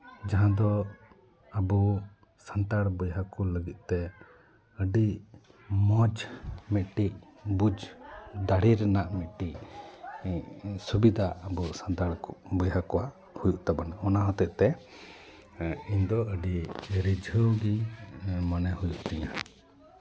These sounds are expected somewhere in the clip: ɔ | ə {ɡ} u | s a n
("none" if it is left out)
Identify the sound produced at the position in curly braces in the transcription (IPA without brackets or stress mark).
b